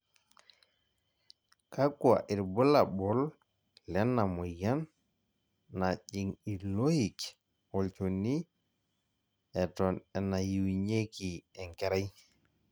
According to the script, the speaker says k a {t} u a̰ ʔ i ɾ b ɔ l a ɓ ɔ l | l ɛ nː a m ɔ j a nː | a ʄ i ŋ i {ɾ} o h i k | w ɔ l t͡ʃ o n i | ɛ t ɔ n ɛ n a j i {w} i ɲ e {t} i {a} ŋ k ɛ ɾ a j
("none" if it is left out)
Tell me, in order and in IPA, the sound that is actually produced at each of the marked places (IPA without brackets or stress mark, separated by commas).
k, l, w, k, ɛ